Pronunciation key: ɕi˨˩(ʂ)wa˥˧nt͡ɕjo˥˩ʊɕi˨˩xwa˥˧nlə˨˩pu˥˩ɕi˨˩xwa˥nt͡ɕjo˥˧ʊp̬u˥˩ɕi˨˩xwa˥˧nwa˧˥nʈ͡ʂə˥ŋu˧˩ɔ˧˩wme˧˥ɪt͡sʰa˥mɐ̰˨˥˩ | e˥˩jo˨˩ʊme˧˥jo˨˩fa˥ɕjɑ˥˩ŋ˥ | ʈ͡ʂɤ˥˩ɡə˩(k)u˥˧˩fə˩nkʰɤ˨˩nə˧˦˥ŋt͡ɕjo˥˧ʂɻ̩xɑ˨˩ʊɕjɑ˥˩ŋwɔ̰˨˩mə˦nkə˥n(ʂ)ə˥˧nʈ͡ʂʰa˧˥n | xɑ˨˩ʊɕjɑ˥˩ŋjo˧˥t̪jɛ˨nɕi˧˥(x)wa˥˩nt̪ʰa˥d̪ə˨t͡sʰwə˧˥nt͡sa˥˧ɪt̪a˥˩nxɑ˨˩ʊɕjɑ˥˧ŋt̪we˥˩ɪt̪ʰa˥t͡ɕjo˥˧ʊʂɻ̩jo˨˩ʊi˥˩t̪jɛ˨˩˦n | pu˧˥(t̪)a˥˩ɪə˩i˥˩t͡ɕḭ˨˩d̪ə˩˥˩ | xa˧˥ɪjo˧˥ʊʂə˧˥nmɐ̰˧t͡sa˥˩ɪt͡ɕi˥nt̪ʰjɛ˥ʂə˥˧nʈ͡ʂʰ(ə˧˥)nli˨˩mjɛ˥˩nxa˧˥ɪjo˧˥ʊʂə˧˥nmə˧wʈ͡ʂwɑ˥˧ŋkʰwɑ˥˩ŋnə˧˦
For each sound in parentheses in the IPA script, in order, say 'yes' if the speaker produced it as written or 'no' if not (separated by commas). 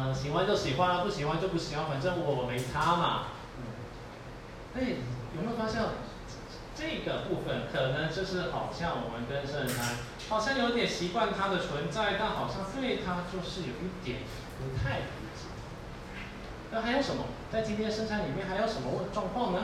no, no, yes, no, no, no